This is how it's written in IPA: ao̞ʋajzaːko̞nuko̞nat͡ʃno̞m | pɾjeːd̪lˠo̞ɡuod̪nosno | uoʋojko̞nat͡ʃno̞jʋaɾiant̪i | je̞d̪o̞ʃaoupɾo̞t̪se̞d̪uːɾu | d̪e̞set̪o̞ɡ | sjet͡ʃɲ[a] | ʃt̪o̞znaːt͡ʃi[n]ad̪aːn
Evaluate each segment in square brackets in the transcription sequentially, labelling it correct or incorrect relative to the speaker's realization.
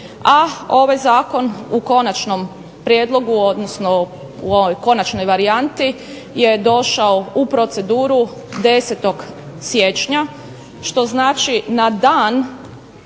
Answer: correct, correct

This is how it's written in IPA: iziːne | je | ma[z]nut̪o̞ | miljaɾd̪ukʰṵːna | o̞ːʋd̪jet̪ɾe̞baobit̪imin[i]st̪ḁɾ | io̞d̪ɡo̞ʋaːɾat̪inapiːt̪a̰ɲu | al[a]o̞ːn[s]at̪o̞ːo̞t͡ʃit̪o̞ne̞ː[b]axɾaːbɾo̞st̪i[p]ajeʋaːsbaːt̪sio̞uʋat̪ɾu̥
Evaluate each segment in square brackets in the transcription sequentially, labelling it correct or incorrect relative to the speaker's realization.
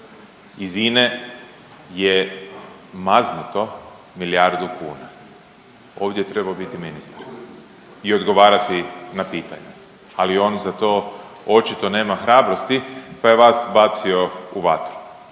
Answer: correct, correct, incorrect: i, incorrect: z, incorrect: m, correct

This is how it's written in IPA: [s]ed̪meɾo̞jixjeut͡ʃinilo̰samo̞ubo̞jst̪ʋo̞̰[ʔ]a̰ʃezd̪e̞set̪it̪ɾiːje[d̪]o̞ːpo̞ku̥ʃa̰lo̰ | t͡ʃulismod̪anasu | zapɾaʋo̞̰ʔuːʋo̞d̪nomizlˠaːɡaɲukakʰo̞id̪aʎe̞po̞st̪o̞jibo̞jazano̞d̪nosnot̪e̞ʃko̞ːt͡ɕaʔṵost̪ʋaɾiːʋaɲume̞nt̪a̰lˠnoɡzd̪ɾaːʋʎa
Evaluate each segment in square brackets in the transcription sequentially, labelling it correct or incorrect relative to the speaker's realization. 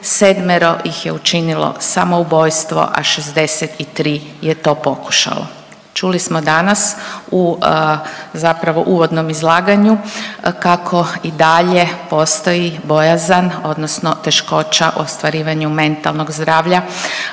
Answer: correct, correct, incorrect: t̪

